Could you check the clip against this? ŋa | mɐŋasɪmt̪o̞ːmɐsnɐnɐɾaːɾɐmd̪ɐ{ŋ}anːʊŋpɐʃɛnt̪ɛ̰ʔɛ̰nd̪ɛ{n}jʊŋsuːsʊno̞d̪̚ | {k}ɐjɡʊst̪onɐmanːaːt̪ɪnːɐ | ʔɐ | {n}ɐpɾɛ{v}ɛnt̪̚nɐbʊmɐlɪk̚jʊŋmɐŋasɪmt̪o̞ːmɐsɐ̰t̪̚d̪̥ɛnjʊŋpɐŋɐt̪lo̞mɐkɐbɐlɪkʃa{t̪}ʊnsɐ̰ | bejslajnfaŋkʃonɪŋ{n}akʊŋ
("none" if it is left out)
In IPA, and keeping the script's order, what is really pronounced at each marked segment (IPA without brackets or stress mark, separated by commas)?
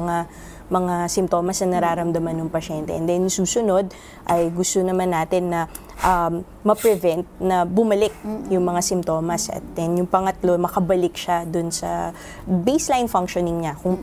m, n, ʔ, m, v, d̪, ɲ